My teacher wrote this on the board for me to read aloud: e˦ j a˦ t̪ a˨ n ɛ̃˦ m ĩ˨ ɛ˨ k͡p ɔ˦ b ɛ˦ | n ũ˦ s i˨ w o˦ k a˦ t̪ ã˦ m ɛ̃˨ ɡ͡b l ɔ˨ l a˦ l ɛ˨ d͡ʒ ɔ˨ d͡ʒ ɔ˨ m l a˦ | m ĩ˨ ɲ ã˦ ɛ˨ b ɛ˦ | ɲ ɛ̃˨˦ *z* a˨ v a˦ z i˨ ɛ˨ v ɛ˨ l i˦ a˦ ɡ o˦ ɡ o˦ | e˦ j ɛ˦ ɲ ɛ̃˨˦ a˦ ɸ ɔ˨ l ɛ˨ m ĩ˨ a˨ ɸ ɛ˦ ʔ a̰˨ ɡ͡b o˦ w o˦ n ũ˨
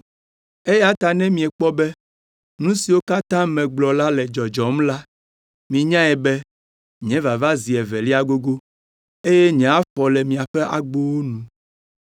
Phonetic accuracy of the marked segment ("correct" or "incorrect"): incorrect